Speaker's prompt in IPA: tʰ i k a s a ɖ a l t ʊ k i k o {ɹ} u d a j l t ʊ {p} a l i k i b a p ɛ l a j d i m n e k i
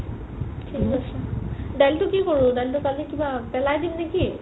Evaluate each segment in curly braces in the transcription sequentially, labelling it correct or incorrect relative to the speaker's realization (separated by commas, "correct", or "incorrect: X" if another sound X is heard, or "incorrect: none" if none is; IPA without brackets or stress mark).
correct, incorrect: k